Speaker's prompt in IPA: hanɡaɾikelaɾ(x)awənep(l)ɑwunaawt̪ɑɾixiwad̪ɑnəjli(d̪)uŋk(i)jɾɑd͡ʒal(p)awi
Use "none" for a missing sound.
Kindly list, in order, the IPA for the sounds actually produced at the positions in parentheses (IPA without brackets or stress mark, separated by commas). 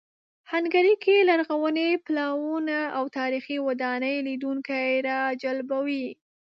ɣ, l, d̪, a, b